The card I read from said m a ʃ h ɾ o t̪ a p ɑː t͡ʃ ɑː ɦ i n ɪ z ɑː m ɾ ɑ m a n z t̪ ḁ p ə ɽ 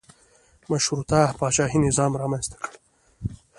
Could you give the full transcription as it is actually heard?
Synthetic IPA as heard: m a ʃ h ɾ u t̪ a p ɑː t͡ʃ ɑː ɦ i n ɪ z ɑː m ɾ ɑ m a n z t̪ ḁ k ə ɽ